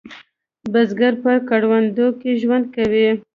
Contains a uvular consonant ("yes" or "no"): no